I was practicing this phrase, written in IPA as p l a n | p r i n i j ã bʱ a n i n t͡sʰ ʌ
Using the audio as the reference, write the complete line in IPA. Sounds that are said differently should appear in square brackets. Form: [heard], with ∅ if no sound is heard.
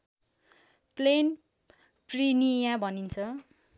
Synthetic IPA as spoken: p l [e] n | p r i n i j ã bʱ [ʌ] n i n t͡sʰ ʌ

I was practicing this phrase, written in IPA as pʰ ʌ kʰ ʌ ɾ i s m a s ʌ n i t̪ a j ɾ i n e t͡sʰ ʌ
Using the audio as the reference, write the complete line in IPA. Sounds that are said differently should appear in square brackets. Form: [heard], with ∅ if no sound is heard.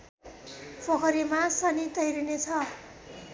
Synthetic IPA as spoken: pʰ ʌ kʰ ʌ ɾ i [∅] m a s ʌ n i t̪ [ʌ] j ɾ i n e t͡sʰ ʌ

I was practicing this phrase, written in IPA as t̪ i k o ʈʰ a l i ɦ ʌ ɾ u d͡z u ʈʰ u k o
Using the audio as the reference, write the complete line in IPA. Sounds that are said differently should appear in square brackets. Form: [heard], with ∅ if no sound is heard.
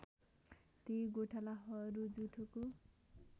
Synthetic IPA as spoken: t̪ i [ɡ] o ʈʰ a l [a] ɦ ʌ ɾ u d͡z u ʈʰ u k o

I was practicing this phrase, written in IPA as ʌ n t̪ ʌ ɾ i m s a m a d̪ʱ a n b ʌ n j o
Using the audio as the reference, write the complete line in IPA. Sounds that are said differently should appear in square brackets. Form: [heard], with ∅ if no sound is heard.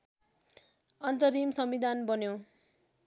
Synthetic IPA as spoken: ʌ n t̪ ʌ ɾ i m s [ʌ] m [i] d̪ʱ a n b ʌ n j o

